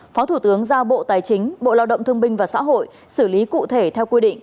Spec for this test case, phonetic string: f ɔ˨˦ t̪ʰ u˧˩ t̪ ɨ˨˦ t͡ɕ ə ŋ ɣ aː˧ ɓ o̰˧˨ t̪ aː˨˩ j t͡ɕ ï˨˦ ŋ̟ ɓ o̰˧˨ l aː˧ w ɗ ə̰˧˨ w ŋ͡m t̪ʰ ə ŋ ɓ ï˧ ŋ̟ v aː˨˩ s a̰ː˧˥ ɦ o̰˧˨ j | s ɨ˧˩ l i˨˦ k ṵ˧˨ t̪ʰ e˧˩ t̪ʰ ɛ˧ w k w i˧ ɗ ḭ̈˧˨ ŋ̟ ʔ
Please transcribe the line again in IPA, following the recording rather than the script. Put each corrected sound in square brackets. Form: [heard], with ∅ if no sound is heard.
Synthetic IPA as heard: f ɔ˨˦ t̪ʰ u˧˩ t̪ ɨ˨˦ [∅] ə ŋ [z] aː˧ ɓ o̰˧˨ t̪ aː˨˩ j t͡ɕ ï˨˦ ŋ̟ ɓ o̰˧˨ l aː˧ w ɗ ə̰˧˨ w ŋ͡m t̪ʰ ə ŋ ɓ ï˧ ŋ̟ v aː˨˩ s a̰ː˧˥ ɦ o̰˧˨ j | s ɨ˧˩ l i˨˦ k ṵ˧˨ t̪ʰ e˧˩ t̪ʰ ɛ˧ w k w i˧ ɗ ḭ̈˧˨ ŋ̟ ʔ